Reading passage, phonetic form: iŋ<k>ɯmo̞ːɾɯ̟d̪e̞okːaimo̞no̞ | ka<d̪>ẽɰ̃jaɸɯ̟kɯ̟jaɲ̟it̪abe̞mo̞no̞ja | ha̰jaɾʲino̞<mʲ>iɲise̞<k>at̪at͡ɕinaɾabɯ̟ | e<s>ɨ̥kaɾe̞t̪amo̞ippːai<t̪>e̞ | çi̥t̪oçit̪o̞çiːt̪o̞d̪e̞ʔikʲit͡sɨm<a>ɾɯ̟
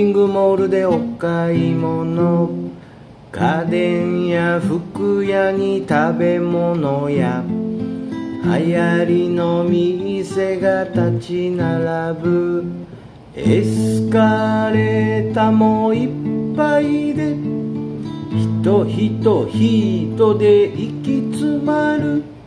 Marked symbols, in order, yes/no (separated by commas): no, yes, yes, no, yes, no, yes